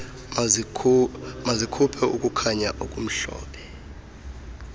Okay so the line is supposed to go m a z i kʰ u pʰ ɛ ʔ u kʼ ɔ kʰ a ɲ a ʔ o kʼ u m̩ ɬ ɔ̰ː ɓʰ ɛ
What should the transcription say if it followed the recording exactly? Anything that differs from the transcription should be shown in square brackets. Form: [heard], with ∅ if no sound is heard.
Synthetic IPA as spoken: m a z i kʰ u pʰ ɛ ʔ u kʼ [u] kʰ a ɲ a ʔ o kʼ u m̩ ɬ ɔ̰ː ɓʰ ɛ